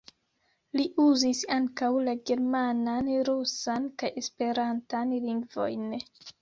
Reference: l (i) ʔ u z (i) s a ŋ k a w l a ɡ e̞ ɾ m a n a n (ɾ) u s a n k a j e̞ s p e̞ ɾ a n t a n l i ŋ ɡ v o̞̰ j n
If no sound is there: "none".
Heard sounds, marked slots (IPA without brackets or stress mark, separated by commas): i, i, ɾ